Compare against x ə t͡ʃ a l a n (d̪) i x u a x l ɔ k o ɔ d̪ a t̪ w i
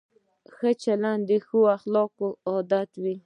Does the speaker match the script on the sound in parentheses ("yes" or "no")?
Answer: yes